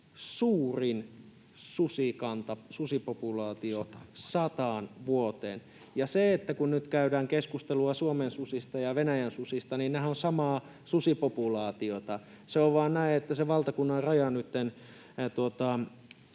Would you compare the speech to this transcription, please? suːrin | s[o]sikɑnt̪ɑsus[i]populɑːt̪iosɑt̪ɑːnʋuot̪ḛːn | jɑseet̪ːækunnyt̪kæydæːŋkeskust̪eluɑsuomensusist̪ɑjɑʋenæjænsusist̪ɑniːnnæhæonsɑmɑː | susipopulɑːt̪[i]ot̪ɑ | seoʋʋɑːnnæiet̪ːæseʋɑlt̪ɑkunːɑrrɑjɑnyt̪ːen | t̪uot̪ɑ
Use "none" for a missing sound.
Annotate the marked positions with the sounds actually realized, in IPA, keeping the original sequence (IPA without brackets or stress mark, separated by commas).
u, i, i